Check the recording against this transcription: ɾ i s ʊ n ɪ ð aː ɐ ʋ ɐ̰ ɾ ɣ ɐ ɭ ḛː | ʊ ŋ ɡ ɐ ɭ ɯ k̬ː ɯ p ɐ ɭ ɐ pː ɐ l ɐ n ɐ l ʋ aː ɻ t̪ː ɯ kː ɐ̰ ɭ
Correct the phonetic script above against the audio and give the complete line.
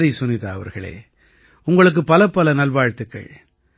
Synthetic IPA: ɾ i s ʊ n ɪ ð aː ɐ ʋ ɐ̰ ɾ ɣ ɐ ɭ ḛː | ʊ ŋ ɡ ɐ ɭ ɯ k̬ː ɯ p ɐ l ɐ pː ɐ l ɐ n ɐ l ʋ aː ɻ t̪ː ɯ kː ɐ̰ ɭ